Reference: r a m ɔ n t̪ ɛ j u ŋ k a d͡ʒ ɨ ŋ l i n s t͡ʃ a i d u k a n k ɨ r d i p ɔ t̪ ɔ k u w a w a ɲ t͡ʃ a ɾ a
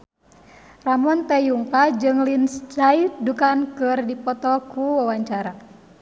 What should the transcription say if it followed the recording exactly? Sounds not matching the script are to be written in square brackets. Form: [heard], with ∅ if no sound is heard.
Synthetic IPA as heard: r a m ɔ n t̪ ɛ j u ŋ k a d͡ʒ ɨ ŋ l i n s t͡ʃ a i d u k a n k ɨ r d i p ɔ t̪ ɔ k u w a w a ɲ t͡ʃ a ɾ a